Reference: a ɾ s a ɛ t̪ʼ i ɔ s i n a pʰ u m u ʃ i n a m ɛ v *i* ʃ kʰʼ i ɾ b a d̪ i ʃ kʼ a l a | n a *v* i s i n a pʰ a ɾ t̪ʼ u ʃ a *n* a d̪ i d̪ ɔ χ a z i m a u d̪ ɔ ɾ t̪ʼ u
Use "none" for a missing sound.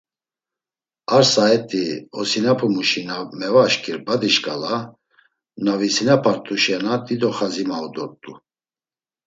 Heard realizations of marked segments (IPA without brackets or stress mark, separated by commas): a, v, n